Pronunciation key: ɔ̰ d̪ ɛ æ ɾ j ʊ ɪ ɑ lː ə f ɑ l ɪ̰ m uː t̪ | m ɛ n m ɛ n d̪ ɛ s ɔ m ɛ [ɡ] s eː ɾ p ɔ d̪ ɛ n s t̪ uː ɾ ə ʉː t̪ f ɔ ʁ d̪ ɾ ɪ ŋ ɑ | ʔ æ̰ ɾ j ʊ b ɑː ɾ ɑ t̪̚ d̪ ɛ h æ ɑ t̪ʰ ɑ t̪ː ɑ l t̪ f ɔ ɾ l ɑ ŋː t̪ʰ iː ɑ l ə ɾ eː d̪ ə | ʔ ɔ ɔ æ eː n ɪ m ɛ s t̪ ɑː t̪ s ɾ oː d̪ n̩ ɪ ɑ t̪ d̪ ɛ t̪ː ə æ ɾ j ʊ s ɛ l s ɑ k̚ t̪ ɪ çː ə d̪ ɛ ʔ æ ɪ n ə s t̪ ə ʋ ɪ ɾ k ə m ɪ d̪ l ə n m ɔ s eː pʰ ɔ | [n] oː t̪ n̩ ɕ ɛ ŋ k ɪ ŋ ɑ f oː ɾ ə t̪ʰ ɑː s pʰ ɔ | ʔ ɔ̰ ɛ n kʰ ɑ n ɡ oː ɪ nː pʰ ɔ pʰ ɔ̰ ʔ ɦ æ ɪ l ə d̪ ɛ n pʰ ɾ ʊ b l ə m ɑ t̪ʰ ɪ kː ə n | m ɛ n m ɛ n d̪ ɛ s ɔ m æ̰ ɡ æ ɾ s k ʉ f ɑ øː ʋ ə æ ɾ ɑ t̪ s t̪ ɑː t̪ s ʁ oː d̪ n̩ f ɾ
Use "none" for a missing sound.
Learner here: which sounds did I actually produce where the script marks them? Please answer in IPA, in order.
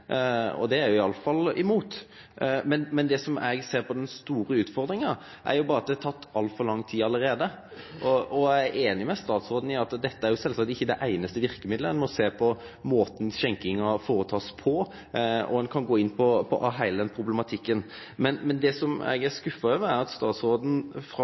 ɡ, m

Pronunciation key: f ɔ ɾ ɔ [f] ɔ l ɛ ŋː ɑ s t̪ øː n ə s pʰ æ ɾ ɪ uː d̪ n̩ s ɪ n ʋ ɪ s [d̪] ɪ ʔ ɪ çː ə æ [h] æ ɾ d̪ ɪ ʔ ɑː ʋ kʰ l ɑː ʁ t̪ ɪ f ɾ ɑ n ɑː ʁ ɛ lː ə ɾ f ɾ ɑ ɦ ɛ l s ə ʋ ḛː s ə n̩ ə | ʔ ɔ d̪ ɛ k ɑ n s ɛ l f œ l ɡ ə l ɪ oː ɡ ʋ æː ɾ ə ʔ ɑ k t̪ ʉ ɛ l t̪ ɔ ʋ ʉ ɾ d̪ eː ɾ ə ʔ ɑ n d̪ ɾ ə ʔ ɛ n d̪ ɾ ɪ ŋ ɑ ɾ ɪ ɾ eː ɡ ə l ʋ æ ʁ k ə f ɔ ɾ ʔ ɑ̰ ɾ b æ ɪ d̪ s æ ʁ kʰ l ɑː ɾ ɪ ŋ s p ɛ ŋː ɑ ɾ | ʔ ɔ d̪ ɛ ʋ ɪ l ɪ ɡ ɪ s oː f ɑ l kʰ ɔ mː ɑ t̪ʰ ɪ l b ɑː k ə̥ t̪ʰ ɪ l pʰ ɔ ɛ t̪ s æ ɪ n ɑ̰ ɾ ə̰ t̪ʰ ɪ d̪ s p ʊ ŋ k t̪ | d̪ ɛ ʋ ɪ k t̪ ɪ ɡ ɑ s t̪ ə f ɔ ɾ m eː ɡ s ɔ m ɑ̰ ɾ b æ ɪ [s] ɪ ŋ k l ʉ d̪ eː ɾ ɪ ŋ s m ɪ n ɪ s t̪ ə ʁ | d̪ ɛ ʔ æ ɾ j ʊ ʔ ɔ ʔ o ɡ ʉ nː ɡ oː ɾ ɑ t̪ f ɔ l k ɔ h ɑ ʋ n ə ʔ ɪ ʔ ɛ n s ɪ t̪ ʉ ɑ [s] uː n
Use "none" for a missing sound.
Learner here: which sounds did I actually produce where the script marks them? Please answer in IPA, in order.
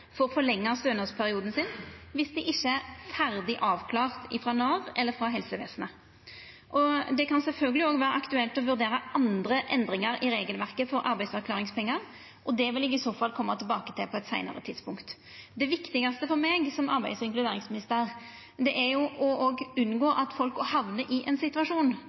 f, d̪, f, s, ʂ

